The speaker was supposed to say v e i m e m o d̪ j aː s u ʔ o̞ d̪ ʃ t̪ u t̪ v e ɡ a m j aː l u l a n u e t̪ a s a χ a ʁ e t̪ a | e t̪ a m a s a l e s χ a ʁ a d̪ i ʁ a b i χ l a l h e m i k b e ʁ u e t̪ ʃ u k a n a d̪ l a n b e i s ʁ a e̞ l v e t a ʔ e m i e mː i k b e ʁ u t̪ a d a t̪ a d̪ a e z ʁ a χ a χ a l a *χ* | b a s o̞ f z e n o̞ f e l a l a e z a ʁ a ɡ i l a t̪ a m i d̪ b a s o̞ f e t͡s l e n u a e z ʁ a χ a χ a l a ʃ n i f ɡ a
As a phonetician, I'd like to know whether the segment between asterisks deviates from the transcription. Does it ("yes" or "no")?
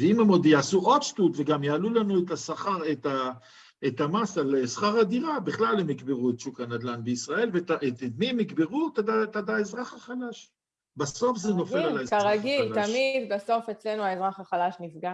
yes